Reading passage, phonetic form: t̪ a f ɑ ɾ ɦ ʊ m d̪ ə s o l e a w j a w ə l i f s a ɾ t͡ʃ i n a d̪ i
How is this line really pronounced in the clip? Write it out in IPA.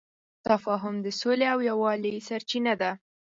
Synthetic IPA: t̪ a f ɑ ɦ ʊ m d̪ ə s o l e a w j a w ɑ l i s a ɾ t͡ʃ i n a d̪ a